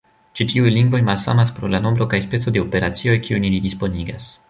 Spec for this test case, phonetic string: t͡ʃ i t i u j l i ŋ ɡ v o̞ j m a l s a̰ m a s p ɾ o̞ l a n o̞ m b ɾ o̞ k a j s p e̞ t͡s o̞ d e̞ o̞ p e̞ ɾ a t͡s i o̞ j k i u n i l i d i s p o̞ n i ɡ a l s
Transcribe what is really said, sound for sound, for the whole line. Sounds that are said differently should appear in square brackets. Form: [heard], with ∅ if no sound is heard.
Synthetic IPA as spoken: t͡ʃ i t i u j l i ŋ ɡ v o̞ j m a l s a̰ m a s p ɾ o̞ l a n o̞ m b ɾ o̞ k a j s p e̞ t͡s o̞ d e̞ o̞ p e̞ ɾ a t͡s i o̞ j k i u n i l i d i s p o̞ n i ɡ a [∅] s